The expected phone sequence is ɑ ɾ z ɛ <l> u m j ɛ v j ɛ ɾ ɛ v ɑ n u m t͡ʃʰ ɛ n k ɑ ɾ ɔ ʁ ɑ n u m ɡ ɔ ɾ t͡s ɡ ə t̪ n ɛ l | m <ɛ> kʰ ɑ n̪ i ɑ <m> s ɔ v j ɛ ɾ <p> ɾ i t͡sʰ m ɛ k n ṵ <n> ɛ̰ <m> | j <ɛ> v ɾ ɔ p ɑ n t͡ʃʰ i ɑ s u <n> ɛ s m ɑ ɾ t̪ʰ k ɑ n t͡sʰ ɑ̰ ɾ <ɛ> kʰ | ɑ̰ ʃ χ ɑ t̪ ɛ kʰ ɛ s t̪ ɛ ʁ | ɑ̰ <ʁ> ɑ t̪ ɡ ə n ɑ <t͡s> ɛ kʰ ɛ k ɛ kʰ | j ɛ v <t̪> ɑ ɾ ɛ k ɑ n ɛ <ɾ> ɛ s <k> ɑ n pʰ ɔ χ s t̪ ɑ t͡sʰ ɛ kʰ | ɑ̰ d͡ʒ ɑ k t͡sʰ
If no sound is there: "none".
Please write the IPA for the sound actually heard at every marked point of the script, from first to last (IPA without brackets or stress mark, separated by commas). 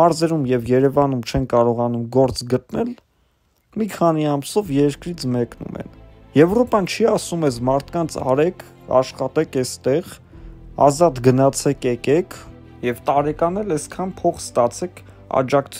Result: ɾ, i, m, k, m, n, ɛ, m, ɛ, z, t͡sʰ, t̪, l, kʰ